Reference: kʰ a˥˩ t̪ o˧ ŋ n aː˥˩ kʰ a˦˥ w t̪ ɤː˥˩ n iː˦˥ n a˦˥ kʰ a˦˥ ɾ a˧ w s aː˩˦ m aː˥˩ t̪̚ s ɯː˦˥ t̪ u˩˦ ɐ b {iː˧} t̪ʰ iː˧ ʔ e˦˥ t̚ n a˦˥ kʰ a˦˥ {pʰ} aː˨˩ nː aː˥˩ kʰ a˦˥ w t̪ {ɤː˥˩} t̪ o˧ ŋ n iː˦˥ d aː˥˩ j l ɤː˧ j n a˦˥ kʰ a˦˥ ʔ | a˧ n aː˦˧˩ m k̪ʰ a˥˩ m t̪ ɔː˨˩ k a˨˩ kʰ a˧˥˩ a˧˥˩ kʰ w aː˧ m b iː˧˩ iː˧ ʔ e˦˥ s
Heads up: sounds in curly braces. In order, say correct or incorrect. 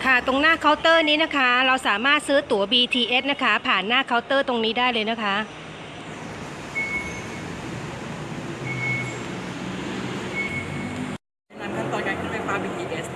correct, correct, correct

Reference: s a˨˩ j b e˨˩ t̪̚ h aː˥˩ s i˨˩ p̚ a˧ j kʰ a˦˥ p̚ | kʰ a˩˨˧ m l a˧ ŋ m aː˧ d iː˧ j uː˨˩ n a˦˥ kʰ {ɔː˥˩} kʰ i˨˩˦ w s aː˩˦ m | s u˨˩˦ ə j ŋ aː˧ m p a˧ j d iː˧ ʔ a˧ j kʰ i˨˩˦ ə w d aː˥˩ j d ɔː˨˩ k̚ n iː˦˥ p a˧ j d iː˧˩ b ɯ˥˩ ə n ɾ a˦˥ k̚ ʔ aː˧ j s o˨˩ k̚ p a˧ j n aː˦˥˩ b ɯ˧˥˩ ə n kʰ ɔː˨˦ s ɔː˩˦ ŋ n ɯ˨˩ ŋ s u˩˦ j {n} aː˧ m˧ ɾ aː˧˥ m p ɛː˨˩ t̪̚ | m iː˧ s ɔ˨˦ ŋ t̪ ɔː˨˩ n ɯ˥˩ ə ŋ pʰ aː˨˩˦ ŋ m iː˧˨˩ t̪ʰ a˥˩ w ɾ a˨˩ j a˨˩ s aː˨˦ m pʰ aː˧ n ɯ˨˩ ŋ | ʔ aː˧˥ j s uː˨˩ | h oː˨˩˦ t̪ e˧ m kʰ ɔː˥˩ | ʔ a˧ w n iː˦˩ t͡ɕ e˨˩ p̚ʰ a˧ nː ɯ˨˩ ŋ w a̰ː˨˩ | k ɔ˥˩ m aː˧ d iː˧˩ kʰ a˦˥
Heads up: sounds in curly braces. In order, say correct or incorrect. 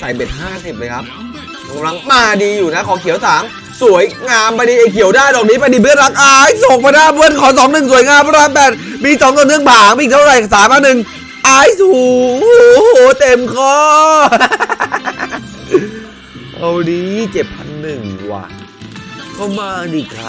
incorrect, incorrect

